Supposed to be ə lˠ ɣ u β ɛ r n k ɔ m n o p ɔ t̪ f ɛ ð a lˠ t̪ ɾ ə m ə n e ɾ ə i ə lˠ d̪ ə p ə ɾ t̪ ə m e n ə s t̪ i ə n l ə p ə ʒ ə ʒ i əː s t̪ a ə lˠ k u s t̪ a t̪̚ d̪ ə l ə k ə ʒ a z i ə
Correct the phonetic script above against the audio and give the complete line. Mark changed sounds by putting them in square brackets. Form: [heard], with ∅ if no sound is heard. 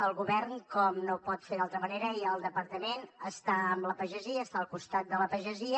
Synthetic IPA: ə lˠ ɣ u β ɛ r n k ɔ m n o p ɔ t̪ f [e] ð a lˠ t̪ ɾ ə m ə n e ɾ ə i ə lˠ d̪ ə p ə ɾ t̪ ə m e n ə s t̪ [a] ə [m] l ə p ə ʒ ə [z] i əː s t̪ a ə lˠ k u s t̪ a t̪̚ d̪ ə l ə [p] ə ʒ [ə] z i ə